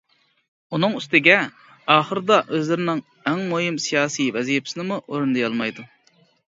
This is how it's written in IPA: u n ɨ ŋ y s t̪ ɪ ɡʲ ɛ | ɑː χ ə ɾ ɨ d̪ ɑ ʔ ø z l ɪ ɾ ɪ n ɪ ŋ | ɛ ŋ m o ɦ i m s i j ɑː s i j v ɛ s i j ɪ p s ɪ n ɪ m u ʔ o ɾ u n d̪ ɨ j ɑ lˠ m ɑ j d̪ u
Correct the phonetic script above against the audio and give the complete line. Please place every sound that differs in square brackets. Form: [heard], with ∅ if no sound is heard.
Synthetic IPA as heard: u n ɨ ŋ y s t̪ ɪ ɡʲ ɛ | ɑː χ ə ɾ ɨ d̪ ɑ ʔ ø z l ɪ ɾ ɪ n ɪ ŋ | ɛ ŋ m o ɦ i m s i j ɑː s i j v ɛ [z] i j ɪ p s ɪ n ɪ m u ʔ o ɾ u n d̪ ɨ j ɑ lˠ m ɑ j d̪ u